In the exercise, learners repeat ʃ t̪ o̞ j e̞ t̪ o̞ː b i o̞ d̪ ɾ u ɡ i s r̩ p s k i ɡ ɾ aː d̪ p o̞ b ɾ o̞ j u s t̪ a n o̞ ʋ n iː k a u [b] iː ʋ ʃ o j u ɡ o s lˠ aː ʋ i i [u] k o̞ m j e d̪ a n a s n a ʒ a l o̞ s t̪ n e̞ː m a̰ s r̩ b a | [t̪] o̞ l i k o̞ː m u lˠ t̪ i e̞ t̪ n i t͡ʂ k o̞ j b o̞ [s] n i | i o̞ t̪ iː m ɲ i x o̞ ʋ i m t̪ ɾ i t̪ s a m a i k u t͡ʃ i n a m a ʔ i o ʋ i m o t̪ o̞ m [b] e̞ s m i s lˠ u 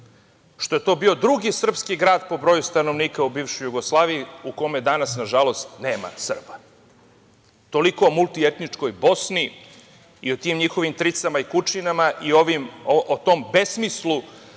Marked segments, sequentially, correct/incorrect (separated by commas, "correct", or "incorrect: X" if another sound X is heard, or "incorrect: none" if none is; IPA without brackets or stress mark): correct, correct, correct, correct, correct